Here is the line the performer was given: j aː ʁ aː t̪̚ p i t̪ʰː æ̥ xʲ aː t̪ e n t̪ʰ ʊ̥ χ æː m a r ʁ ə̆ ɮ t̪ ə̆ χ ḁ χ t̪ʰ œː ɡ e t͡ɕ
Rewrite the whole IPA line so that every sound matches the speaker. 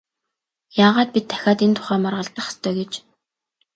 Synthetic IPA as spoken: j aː ʁ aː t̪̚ p i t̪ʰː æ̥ xʲ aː t̪ e n t̪ʰ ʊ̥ χ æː m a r ʁ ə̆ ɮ t̪ ə̆ χ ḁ s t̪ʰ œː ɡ e t͡ɕ